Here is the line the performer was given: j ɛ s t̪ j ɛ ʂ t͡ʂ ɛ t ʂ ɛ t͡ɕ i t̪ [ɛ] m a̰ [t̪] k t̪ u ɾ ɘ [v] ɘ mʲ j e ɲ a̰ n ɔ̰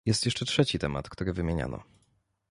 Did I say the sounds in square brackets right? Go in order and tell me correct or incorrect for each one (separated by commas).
correct, correct, correct